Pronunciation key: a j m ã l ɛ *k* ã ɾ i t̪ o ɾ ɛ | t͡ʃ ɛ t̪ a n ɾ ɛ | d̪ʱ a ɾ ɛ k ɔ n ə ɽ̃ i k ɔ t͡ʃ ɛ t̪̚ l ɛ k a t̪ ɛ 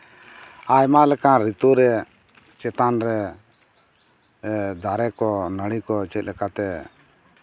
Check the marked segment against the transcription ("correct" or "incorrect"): correct